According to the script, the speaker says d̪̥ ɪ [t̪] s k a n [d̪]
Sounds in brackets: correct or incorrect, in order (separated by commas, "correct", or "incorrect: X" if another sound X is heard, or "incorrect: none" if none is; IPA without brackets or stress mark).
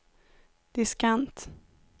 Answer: incorrect: none, incorrect: t̪